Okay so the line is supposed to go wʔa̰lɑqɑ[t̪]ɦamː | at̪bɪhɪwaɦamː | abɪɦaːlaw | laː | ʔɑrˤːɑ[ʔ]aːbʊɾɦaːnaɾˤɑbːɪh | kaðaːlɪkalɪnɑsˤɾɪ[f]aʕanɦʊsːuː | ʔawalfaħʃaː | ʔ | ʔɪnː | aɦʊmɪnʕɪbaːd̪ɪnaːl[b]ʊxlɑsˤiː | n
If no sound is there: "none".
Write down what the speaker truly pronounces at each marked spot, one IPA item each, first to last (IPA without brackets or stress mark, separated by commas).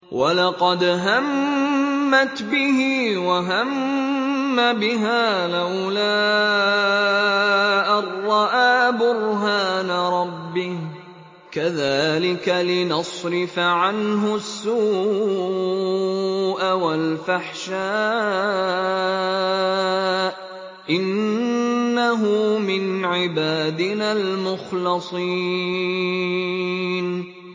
d̪, ʔ, f, m